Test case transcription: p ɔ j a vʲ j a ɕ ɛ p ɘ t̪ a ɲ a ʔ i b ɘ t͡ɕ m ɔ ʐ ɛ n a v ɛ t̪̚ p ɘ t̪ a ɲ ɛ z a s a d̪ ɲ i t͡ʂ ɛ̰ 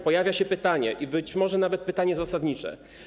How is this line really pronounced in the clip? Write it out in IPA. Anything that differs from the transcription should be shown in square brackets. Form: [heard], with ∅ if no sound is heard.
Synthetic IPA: p ɔ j a vʲ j a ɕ ɛ p ɘ t̪ a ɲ [ɛ] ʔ i b ɘ t͡ɕ m ɔ ʐ ɛ n a v ɛ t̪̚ p ɘ t̪ a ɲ ɛ z a s a d̪ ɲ i t͡ʂ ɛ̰